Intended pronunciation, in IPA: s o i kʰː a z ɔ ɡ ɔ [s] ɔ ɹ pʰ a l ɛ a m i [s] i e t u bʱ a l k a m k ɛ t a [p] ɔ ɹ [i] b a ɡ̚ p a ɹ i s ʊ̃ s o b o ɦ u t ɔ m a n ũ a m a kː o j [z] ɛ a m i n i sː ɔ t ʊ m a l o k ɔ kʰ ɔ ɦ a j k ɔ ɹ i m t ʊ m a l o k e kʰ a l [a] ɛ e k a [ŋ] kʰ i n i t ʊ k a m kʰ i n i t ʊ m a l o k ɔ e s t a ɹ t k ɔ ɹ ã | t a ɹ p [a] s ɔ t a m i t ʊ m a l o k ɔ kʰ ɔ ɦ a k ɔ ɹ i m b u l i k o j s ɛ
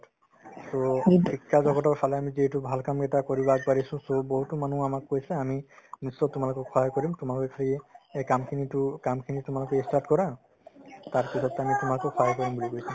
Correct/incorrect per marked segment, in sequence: incorrect, incorrect, incorrect, correct, incorrect, incorrect, incorrect, incorrect

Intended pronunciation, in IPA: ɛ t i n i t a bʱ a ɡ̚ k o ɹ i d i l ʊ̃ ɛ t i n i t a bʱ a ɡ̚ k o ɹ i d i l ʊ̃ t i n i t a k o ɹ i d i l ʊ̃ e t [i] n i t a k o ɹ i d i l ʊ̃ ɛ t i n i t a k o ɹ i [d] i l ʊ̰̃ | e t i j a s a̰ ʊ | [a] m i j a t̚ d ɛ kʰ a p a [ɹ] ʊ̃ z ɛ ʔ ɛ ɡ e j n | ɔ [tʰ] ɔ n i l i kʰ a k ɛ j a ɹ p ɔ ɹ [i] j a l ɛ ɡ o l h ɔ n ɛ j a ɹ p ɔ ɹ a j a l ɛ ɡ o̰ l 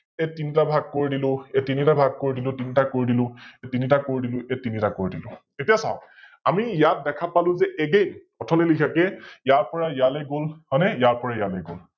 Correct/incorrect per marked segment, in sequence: correct, correct, correct, incorrect, correct, incorrect

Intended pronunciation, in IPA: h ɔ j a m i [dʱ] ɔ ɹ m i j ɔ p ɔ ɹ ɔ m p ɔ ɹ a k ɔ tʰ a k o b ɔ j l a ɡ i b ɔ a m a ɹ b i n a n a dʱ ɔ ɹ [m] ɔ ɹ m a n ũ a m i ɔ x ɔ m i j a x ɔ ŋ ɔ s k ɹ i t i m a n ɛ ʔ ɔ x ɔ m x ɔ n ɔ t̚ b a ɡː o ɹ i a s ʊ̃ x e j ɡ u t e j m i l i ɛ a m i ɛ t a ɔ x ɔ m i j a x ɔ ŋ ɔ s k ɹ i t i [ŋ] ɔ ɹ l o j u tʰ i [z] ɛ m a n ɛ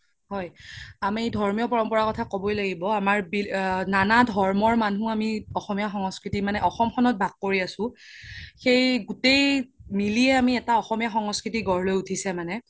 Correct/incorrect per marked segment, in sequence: correct, correct, incorrect, incorrect

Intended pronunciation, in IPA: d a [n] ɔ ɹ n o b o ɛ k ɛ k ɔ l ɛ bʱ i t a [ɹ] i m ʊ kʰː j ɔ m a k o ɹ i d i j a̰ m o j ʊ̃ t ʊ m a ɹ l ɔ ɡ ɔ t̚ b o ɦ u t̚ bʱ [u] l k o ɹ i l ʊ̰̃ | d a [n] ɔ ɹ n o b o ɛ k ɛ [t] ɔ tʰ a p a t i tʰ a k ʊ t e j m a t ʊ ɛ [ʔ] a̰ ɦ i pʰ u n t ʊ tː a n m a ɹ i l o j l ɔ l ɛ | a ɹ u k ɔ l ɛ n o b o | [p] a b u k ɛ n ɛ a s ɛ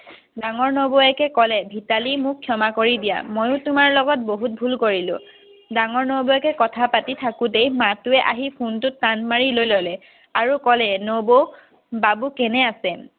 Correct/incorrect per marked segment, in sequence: incorrect, incorrect, correct, incorrect, incorrect, correct, incorrect

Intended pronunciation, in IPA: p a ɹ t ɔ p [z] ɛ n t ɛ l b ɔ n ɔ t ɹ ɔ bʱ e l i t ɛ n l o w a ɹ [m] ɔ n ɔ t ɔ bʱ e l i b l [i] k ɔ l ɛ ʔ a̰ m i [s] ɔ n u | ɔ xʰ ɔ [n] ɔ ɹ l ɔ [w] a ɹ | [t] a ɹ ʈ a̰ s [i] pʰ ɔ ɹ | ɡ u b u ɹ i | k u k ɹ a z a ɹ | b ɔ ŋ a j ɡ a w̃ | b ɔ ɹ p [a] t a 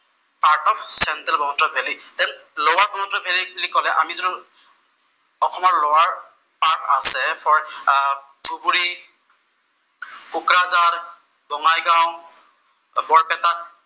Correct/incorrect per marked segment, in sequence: incorrect, incorrect, correct, incorrect, incorrect, correct, incorrect, incorrect, incorrect

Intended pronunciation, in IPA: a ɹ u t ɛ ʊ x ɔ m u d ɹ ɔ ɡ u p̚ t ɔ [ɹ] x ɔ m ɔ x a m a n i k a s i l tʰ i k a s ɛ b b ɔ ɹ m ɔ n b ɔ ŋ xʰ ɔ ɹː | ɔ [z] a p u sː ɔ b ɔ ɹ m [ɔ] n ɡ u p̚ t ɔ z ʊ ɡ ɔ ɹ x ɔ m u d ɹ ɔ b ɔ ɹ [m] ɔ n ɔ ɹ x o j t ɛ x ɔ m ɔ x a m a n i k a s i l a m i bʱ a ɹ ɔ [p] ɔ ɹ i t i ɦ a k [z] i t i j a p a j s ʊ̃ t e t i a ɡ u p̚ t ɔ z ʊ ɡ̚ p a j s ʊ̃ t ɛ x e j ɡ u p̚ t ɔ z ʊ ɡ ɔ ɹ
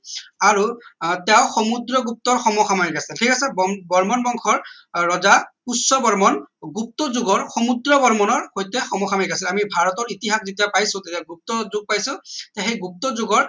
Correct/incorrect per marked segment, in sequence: correct, correct, correct, correct, incorrect, correct

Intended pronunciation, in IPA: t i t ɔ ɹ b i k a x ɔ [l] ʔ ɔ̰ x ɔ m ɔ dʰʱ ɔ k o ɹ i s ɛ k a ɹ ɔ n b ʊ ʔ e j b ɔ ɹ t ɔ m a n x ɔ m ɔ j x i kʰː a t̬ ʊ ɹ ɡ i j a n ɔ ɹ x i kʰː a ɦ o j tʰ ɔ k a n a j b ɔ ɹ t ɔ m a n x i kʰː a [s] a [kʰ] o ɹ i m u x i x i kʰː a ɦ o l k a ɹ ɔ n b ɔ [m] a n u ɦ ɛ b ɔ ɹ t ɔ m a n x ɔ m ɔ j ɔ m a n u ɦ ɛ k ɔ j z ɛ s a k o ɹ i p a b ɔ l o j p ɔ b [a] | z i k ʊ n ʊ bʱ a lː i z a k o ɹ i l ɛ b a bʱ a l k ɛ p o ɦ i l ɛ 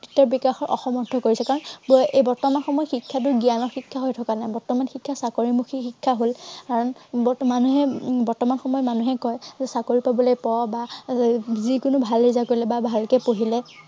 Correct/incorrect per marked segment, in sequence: incorrect, correct, incorrect, correct, correct

